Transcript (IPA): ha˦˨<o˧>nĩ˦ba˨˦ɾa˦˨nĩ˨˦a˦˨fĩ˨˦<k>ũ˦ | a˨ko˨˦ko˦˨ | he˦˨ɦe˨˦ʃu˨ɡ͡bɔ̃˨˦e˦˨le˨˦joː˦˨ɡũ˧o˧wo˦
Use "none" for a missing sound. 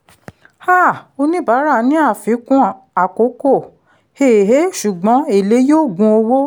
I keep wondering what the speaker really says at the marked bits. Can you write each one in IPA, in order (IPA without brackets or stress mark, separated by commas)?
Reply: o˧, k